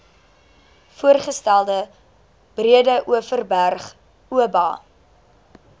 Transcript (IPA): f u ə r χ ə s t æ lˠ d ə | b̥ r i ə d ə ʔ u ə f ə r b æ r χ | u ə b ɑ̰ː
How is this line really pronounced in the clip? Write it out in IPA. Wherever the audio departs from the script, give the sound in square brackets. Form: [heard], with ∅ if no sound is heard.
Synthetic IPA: f u ə r χ ə s t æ lˠ d ə | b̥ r i ə d ə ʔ u ə f ə r b æ r χ | u ə b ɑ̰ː

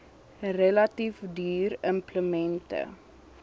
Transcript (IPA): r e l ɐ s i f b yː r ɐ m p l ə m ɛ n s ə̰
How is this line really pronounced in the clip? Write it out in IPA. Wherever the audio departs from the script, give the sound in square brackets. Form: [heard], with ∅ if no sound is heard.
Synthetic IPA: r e l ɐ [t] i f [d] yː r [ə] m p l ə m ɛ n [t] ə̰

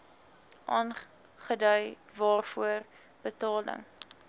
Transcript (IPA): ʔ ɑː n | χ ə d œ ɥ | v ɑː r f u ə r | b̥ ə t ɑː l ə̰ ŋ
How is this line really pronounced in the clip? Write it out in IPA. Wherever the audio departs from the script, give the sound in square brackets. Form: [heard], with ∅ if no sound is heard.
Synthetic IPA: ʔ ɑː n | χ ə d œ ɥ | v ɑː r f u ə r | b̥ ə t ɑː l ə̰ ŋ

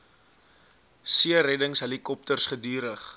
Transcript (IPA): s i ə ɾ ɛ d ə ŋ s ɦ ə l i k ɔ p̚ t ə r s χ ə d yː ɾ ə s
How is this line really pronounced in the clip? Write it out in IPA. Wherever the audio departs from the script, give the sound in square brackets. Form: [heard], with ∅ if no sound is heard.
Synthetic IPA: s i ə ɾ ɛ d ə ŋ s ɦ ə l i k ɔ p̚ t ə r s χ ə d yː ɾ ə [χ]

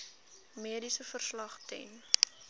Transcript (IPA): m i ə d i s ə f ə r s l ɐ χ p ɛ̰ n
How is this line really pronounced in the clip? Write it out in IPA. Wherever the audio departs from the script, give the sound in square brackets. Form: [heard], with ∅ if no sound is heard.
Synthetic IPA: m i ə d i s ə f ə r s l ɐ χ [t] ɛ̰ n

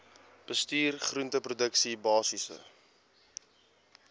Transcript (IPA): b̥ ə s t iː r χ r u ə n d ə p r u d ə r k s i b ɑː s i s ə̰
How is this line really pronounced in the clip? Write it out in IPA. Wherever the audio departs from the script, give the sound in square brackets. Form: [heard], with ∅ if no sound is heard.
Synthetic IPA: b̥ ə s t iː r χ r u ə n [t] ə p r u d ə [∅] k s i b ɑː s i s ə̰

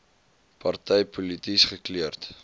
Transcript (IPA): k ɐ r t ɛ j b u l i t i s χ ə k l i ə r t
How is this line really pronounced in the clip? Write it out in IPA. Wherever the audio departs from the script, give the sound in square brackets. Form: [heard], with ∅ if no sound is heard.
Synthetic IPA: [p] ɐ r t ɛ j [p] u l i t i s χ ə k l i ə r t

